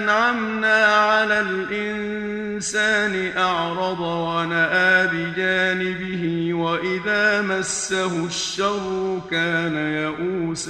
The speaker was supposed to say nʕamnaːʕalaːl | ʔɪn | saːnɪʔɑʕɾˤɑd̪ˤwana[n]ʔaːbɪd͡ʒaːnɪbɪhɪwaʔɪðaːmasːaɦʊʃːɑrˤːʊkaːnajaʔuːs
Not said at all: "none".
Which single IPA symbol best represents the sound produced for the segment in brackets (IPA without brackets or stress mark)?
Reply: none